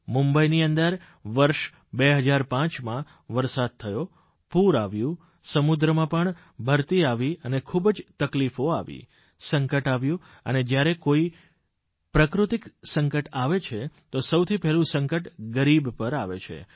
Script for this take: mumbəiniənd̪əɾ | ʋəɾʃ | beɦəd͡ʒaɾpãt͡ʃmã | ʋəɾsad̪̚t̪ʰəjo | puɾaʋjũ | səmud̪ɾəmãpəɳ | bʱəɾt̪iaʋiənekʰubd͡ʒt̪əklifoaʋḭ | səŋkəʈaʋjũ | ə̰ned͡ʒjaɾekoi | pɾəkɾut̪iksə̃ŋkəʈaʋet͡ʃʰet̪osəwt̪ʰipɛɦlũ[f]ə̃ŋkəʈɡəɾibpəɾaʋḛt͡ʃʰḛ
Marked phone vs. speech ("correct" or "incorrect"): incorrect